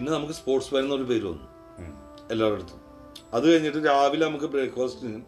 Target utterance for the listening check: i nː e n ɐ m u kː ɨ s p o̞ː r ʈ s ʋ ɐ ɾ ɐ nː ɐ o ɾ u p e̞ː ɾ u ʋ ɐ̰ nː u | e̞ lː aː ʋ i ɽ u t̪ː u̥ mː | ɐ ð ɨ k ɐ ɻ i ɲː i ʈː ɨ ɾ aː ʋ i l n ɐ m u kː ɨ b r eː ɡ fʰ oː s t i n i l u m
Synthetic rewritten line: i nː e n ɐ m u kː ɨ s p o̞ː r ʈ s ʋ ɐ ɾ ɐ nː ɐ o ɾ u p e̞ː ɾ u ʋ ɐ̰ nː u | e̞ lː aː ʋ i ɽ u t̪ː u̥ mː | ɐ ð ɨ k ɐ ɻ i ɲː i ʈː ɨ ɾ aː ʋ i l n ɐ m u kː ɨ b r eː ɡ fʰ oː s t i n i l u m